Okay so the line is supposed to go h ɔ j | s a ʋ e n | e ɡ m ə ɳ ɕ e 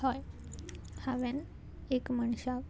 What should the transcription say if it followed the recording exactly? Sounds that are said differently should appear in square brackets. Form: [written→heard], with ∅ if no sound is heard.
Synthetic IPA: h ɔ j | [s→h] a ʋ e n | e [ɡ→k] m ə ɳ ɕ [e→a]